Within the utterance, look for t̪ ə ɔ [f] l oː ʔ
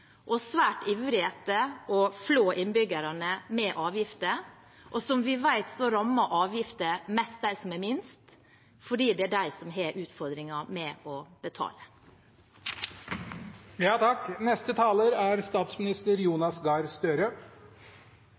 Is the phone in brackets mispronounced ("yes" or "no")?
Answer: no